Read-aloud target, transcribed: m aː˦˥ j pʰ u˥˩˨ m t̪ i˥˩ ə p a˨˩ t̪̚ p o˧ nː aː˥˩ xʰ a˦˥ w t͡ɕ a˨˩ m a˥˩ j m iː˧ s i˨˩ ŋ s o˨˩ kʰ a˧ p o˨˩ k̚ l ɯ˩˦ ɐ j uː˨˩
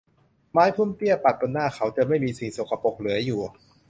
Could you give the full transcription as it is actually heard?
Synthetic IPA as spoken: m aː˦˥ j pʰ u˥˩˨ m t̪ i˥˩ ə p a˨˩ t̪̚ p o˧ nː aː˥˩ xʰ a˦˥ w t͡ɕ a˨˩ m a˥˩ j m iː˧ s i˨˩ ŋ s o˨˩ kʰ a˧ p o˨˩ k̚ l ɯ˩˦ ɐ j uː˨˩